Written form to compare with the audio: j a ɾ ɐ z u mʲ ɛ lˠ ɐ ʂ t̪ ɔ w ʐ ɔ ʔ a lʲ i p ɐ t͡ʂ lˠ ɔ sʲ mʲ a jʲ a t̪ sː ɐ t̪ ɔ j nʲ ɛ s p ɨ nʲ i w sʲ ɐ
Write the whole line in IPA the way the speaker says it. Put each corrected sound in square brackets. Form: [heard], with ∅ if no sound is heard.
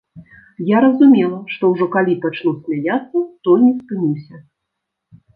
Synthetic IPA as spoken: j a ɾ ɐ z u mʲ ɛ lˠ ɐ ʂ t̪ ɔ w ʐ ɔ [k] a lʲ i p [a] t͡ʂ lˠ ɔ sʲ mʲ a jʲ a t̪ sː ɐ t̪ ɔ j nʲ ɛ s p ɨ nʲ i w sʲ ɐ